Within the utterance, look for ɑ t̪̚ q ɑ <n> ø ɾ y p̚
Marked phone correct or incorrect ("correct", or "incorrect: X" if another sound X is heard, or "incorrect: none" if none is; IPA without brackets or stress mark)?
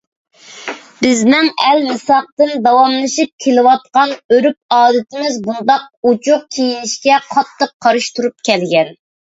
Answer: correct